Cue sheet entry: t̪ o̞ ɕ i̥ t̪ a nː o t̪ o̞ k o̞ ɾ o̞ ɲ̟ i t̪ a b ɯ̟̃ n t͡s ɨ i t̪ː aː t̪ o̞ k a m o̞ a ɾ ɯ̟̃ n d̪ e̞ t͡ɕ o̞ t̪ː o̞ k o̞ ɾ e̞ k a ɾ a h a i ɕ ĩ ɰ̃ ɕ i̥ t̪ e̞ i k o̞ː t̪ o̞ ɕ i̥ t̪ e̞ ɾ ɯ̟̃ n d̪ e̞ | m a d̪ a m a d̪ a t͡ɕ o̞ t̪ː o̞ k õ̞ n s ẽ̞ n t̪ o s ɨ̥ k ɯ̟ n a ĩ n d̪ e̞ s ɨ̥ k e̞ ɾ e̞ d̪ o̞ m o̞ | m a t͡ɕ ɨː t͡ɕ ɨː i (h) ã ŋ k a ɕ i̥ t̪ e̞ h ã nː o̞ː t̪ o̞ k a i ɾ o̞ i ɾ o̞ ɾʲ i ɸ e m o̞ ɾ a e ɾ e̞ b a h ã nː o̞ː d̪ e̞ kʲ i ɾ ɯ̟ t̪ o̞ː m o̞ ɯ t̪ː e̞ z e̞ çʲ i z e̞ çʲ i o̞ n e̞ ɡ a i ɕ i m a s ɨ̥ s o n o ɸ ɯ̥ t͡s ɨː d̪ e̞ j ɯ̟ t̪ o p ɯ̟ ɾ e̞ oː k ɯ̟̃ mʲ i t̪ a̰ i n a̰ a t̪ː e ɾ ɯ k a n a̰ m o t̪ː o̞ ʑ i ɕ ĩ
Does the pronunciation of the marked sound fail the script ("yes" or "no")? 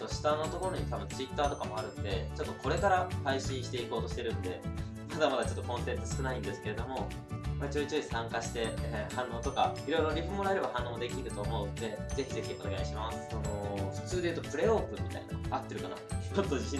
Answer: yes